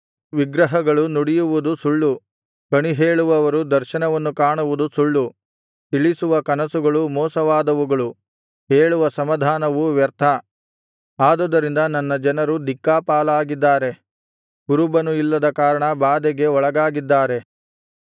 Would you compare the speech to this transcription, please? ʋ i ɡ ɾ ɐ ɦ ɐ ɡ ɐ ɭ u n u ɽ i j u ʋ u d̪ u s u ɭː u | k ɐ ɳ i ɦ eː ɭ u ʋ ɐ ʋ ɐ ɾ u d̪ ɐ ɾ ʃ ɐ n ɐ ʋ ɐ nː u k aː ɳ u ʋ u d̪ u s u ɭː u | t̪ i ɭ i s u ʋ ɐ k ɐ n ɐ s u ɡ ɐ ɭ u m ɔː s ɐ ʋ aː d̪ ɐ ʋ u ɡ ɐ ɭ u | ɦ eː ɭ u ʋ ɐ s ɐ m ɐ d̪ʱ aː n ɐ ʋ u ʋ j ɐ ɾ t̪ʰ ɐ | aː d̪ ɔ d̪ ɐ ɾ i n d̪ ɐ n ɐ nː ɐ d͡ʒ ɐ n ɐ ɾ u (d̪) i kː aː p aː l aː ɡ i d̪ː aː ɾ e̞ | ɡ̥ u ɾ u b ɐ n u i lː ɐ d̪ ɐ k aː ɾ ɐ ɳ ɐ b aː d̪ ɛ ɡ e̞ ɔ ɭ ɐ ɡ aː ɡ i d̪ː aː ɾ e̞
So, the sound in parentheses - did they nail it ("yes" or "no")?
yes